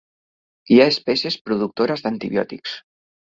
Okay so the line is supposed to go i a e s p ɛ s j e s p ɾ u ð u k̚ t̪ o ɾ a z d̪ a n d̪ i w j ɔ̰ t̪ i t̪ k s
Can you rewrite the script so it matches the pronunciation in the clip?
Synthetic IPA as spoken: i a e s p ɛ s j e s p ɾ u ð u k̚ t̪ o ɾ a z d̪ a n t̪ i β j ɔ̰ t̪ i k s

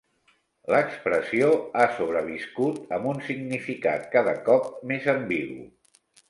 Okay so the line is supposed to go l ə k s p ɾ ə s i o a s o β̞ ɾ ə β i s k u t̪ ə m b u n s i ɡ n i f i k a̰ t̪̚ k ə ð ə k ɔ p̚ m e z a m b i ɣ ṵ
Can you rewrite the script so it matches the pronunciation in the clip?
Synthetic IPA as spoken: l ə k s p ɾ ə s i o a s o β̞ ɾ ə β i s k u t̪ ə m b u n s i ɡ n i f i k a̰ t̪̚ k a ð ə k ɔ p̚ m e z ə m b i ɣ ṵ

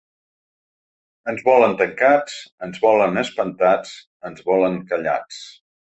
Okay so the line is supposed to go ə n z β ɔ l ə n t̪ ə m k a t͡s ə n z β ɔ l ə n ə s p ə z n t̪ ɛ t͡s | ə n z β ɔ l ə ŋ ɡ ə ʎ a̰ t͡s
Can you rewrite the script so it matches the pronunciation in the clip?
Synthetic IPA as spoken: ə n z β ɔ l ə n t̪ ə ŋ k a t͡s ə n z β ɔ l ə n ə s p ə n t̪ a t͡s | ə n z β ɔ l ə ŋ k ə ʎ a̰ t͡s

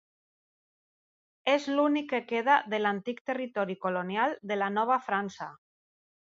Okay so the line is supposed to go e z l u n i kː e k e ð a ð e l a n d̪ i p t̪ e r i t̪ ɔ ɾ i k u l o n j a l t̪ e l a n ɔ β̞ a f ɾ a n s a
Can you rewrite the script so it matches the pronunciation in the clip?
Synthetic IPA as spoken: e z l u n i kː e k e ð a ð e l a n t̪ i k t̪ e r i t̪ ɔ ɾ i k o l o n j a l d̪ e l a n ɔ β̞ a f ɾ a n s a

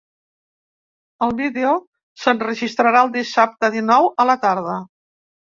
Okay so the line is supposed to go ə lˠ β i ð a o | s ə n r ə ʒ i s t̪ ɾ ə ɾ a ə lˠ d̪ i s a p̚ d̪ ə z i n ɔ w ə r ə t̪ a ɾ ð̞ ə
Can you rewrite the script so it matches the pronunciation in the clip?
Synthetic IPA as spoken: ə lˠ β i ð e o | s ə n r ə ʒ i s t̪ ɾ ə ɾ a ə lˠ d̪ i s a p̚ t̪ ə ð i n ɔ w ə l ə t̪ a ɾ ð̞ ə

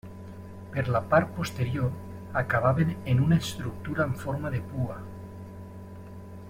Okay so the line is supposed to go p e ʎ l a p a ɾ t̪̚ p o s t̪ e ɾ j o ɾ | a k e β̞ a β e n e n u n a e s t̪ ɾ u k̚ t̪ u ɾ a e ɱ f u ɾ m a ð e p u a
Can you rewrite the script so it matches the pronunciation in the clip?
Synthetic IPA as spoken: p e ɾ l a p a ɾ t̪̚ p o s t̪ e ɾ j o ɾ | a k a β̞ a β e n e n u n a e s t̪ ɾ u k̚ t̪ u ɾ a e ɱ f o ɾ m a ð e p u a

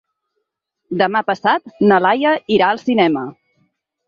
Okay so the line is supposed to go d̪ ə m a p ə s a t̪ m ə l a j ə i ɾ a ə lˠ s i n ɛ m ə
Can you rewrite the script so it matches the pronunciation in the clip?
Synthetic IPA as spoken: d̪ ə m a p ə s a t̪ n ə l a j ə i ɾ a ə lˠ s i n ɛ m ə

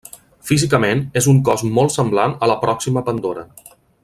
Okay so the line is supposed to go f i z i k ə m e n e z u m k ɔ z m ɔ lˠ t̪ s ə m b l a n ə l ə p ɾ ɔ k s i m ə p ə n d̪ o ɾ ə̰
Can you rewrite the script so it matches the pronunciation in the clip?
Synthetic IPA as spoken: f i z i k ə m e n e z u ŋ k ɔ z m ɔ lˠ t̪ s ə m b l a n ə l ə p ɾ ɔ k s i m ə p ə n d̪ o ɾ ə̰

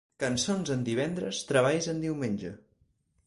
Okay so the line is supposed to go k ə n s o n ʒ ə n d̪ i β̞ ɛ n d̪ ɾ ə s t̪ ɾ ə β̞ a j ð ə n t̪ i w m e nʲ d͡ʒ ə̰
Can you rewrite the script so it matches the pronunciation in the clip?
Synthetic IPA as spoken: k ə n s o n z ə n d̪ i β̞ ɛ n d̪ ɾ ə s t̪ ɾ ə β̞ a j z ə n d̪ i w m e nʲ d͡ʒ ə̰

